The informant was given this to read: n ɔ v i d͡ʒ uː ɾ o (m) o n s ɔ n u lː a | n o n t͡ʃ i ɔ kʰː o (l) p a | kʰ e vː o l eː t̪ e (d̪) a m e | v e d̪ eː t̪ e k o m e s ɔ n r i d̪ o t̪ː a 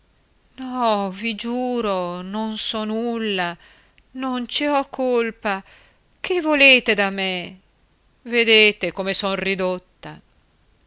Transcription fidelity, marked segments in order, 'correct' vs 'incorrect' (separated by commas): incorrect, correct, correct